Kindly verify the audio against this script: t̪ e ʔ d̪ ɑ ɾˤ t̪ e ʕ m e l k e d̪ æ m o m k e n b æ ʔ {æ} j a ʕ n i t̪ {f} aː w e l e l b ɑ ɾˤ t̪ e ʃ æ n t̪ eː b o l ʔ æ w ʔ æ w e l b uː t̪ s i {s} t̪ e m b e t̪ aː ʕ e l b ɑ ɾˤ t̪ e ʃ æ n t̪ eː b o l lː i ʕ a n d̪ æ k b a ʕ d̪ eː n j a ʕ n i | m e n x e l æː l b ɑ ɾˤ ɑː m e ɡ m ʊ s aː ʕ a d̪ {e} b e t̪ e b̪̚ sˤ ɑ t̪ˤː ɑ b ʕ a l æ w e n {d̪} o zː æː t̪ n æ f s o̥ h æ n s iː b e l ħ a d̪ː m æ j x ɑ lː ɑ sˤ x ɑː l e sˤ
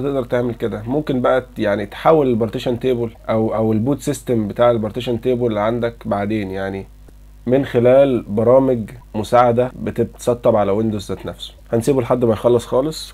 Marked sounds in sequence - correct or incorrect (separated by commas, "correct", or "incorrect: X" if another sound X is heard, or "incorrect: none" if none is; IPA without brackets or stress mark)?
correct, incorrect: ħ, correct, incorrect: æ, correct